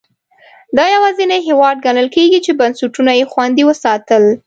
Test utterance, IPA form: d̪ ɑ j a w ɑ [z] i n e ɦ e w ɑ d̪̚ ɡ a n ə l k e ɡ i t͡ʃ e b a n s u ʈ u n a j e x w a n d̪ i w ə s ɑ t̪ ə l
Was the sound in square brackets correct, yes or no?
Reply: yes